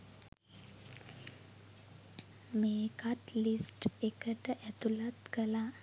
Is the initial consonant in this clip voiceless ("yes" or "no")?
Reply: no